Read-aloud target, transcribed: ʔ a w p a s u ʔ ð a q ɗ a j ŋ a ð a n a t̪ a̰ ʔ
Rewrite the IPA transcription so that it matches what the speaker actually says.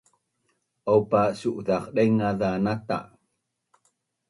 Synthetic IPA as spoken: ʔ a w p a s u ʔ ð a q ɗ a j ŋ a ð a n a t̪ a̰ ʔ